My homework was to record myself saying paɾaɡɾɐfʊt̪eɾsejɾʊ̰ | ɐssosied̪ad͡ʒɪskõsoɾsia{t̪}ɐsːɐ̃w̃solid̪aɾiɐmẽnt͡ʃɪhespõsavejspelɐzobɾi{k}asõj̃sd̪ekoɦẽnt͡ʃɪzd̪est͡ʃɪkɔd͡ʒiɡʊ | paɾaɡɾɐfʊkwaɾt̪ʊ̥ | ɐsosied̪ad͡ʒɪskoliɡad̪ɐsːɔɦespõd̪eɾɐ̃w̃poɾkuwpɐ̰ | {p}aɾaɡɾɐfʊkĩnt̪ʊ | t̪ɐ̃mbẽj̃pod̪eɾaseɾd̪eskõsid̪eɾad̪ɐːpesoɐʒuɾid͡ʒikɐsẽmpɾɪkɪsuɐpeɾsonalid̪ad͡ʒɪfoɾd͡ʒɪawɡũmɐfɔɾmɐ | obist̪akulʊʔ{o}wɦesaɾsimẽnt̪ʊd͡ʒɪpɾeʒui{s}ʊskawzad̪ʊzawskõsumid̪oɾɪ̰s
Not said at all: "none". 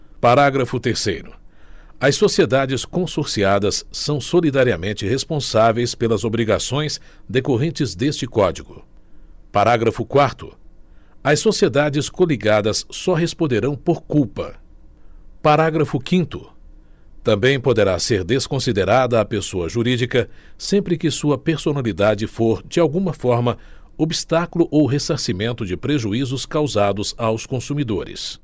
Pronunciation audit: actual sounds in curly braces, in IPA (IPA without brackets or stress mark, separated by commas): d̪, ɡ, p, o, z